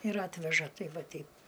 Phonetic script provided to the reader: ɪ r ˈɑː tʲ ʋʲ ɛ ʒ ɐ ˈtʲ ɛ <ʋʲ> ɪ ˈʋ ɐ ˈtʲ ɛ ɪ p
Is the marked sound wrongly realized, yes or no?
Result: yes